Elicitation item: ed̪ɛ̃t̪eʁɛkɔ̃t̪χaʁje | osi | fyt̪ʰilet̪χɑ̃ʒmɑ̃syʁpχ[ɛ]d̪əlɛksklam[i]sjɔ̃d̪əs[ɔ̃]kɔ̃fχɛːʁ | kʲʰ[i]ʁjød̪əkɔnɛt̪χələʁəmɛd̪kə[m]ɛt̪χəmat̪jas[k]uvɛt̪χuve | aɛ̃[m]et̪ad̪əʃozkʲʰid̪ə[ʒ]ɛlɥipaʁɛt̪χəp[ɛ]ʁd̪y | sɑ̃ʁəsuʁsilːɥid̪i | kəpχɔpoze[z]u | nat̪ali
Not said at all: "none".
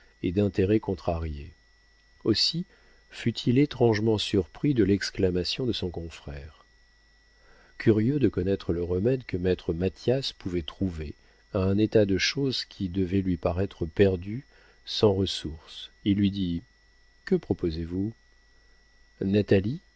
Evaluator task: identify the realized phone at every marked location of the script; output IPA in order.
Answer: i, a, ɔ̃, y, m, p, n, v, ɛ, v

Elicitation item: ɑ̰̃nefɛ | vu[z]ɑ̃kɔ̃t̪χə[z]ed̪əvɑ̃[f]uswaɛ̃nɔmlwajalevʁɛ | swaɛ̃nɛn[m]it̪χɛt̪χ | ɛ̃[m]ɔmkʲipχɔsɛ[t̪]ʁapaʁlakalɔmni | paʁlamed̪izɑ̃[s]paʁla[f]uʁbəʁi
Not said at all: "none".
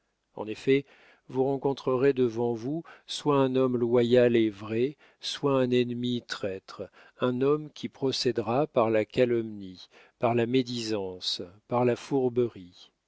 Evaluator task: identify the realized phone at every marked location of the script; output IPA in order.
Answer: ʁ, ʁ, v, m, n, d̪, s, f

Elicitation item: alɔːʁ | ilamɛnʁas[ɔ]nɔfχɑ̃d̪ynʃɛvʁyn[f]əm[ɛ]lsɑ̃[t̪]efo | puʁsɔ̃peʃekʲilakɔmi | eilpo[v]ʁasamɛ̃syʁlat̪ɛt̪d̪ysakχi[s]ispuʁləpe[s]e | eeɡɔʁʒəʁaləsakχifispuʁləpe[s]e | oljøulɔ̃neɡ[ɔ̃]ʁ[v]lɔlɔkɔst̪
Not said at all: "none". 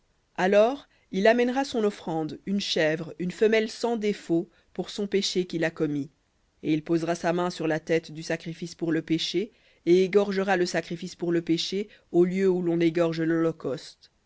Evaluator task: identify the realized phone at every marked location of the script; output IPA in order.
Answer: ɔ̃, f, ɛ, d̪, z, f, ʃ, ʃ, ɔ, ʒ

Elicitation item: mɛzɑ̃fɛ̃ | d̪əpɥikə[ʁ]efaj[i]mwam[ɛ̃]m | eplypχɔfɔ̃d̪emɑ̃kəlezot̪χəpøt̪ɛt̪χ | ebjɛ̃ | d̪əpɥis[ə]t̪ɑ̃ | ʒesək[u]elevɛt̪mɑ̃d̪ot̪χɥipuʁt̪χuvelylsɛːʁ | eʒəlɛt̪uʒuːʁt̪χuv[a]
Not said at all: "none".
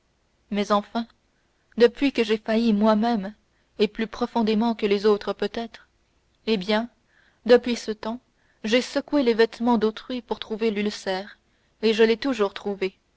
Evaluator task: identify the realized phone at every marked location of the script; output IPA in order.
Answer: ʒ, i, ɛ, ə, w, e

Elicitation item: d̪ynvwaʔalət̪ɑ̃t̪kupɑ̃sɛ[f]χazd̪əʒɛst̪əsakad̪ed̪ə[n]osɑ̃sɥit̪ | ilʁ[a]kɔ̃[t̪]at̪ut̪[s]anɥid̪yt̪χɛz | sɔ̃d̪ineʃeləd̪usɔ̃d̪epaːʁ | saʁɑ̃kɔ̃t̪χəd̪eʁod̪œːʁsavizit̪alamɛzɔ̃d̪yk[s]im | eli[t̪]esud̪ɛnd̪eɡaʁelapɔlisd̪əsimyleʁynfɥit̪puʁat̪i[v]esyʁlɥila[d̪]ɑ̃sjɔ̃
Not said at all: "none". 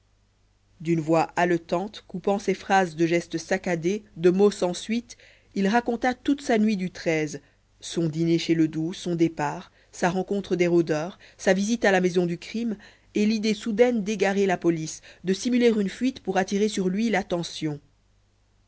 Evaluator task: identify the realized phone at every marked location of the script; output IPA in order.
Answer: f, m, a, t̪, s, χ, d̪, ʁ, t̪

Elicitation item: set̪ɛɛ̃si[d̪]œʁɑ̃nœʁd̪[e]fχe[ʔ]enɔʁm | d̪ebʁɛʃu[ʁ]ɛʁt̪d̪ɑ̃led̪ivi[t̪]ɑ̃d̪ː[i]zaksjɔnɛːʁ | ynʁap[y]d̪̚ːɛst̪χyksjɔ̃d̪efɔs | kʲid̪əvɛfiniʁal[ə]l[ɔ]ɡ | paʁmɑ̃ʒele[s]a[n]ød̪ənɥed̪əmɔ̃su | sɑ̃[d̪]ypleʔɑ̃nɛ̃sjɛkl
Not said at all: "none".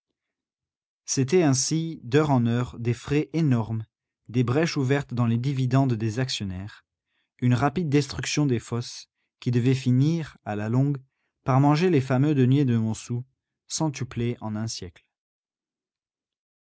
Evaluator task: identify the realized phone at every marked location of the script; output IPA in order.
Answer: d̪, e, ʔ, v, d̪, e, i, a, ɔ̃, f, m, t̪

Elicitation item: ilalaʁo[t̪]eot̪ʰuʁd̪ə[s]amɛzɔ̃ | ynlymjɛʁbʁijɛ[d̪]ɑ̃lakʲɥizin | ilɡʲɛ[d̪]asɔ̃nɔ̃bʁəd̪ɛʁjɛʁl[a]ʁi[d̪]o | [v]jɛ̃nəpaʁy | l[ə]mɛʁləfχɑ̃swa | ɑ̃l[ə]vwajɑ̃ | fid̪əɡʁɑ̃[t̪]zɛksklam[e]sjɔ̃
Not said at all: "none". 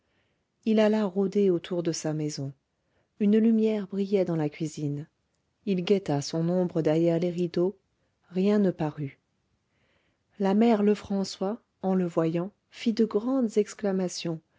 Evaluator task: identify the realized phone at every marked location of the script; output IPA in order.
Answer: d̪, s, d̪, t̪, e, d̪, ʁ, a, ə, d̪, a

